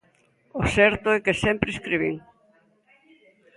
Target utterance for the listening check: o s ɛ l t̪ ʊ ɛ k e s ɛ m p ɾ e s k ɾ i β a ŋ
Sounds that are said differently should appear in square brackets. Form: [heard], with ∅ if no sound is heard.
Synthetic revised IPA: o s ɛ [ɾ] t̪ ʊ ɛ k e s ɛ m p ɾ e s k ɾ i β [i] ŋ